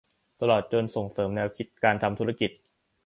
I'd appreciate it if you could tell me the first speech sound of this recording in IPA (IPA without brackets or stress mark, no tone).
t̪